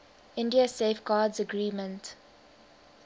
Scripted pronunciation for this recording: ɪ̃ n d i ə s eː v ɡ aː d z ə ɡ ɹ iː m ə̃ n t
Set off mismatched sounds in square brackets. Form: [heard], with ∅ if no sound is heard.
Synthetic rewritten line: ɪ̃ n d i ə s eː [f] ɡ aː d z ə ɡ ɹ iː m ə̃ n t